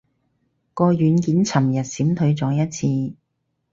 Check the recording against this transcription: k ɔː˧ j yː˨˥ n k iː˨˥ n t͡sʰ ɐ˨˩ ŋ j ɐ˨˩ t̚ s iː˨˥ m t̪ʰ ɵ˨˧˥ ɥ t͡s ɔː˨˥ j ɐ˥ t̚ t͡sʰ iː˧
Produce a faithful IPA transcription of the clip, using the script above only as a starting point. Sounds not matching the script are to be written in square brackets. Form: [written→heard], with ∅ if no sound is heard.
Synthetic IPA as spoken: k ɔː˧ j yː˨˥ n k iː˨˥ n t͡sʰ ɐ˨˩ [ŋ→m] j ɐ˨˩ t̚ s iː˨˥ m t̪ʰ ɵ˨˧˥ ɥ t͡s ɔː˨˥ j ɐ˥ t̚ t͡sʰ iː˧